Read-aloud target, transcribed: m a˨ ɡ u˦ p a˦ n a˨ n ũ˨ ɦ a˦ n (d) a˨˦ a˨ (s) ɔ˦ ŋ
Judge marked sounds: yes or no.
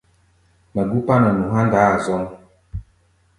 yes, no

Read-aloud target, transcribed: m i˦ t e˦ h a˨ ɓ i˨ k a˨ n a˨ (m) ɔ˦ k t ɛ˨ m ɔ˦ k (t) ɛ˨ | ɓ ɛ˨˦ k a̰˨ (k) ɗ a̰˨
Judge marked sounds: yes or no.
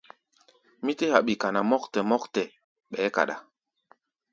yes, yes, no

